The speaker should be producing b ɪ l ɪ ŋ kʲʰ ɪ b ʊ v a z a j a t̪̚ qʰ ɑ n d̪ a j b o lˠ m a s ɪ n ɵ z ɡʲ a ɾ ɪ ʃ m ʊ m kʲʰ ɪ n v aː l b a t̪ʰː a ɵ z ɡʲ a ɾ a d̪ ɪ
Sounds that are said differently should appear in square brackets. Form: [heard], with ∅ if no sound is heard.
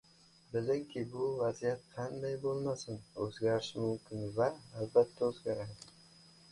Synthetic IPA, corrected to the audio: b ɪ l ɪ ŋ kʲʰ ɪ b ʊ v a z [i] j a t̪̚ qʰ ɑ n d̪ a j b o lˠ m a s ɪ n ɵ z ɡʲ a ɾ ɪ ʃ m ʊ m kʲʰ ɪ n v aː l b a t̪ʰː a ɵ z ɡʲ a ɾ a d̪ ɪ